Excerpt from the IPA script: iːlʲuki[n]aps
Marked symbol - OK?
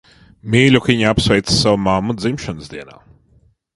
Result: no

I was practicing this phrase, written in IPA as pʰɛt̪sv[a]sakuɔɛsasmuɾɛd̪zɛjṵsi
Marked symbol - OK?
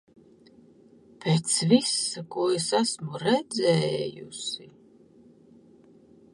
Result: no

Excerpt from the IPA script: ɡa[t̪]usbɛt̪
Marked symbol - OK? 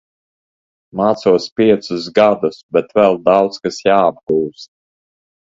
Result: no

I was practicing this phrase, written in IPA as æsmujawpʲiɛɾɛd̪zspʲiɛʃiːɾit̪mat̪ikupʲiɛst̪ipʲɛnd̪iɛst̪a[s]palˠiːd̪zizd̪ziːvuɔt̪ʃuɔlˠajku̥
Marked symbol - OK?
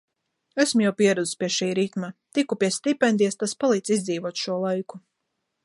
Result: yes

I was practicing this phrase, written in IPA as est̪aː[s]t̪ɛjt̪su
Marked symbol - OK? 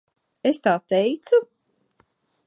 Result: no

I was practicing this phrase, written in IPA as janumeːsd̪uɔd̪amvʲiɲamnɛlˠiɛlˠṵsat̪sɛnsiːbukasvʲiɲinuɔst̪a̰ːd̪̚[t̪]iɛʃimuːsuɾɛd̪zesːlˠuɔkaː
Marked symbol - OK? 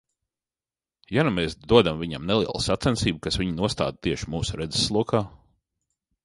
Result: yes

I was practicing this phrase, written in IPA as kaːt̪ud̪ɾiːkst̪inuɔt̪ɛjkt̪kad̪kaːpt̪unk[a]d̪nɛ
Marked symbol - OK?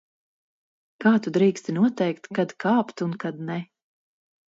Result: yes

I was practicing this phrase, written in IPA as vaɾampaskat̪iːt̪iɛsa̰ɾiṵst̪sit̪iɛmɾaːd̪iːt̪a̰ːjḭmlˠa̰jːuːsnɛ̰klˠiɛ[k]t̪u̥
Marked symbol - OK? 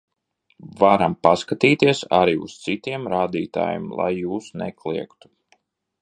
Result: yes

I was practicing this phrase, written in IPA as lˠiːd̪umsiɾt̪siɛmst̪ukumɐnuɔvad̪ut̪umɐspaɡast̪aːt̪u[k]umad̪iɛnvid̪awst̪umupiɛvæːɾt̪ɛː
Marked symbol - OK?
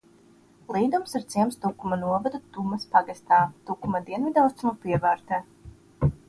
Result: yes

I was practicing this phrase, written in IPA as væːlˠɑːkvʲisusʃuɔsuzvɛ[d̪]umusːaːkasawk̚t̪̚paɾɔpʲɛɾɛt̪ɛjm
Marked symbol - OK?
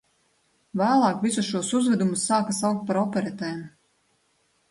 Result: yes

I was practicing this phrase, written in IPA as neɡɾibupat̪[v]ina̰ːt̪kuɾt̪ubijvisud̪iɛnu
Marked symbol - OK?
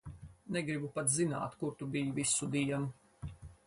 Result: no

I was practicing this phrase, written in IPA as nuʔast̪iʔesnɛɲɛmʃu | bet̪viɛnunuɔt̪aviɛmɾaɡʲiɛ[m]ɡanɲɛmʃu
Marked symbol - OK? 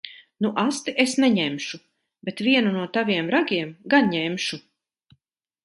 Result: yes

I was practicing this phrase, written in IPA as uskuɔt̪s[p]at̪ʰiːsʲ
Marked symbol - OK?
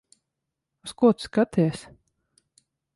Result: no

